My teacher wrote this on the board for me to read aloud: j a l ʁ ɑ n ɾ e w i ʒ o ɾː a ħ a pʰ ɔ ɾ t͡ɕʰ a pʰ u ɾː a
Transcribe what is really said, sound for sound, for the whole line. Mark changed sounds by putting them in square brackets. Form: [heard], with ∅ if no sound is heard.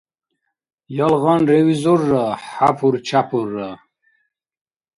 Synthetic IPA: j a l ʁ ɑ n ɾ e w i [z] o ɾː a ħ a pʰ [u] ɾ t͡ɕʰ a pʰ u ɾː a